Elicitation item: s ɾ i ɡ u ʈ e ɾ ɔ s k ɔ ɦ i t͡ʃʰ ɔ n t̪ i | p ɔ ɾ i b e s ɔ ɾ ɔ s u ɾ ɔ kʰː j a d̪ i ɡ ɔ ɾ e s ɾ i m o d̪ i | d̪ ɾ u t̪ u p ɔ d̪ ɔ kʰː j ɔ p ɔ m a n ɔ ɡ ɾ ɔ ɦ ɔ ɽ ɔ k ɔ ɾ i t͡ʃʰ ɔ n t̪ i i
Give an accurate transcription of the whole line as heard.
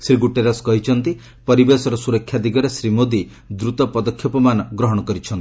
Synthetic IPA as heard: s ɾ i ɡ u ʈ e ɾ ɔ s k ɔ ɦ i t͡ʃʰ ɔ n t̪ i | p ɔ ɾ i b e s ɔ ɾ ɔ s u ɾ ɔ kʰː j a d̪ i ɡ ɔ ɾ e s ɾ i m o d̪ i | d̪ ɾ u t̪ ɔ p ɔ d̪ ɔ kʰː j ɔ p ɔ m a n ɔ ɡ ɾ ɔ ɦ ɔ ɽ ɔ k ɔ ɾ i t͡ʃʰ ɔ n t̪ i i